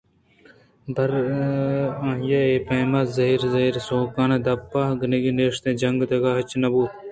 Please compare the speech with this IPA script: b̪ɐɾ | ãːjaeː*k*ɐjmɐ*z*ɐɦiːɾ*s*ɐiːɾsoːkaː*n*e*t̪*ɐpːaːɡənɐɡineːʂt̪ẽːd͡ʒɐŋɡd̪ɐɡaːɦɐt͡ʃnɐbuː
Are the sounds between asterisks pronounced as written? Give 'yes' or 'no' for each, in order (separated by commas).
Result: no, yes, no, yes, no